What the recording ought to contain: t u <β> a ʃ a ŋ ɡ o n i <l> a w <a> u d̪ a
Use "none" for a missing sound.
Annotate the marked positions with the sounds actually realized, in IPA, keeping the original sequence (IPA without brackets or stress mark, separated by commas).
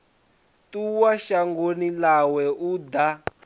w, l, ɛ